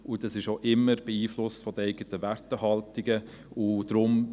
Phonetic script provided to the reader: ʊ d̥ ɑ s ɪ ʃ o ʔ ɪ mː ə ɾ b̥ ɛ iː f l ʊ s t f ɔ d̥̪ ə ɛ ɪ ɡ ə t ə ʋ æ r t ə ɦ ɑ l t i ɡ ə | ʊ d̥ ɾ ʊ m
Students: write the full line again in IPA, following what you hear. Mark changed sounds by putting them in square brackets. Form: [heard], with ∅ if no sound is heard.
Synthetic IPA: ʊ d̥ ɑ s ɪ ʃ o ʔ ɪ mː ə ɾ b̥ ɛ iː f l ʊ s t f ɔ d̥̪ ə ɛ ɪ ɡ ə t ə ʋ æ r t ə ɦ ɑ l t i ɡ ə | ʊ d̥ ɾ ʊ m